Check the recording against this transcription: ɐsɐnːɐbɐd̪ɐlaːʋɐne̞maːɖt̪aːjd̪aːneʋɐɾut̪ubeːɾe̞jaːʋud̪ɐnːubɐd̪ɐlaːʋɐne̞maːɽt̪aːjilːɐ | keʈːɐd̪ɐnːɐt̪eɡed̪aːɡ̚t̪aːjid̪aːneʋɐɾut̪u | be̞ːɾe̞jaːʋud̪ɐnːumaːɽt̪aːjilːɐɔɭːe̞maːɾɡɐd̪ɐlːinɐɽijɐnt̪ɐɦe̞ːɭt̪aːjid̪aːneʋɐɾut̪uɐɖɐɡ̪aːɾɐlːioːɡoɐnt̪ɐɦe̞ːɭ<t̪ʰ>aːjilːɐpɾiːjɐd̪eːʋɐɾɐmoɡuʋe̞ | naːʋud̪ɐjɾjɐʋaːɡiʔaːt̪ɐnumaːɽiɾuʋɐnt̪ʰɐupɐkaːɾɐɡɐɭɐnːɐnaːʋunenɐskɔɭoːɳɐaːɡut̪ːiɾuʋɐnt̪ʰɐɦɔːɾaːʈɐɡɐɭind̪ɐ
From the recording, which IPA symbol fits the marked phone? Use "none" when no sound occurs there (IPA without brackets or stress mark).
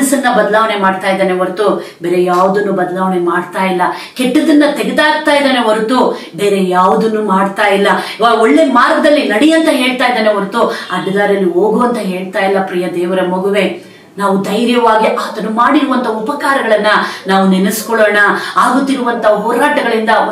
t̪